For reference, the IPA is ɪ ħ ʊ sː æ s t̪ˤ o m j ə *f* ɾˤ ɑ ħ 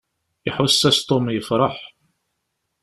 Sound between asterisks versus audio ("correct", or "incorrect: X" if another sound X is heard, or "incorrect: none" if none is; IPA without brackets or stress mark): correct